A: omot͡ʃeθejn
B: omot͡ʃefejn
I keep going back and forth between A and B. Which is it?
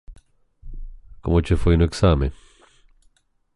B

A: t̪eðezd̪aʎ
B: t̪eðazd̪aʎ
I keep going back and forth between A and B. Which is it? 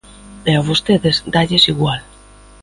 A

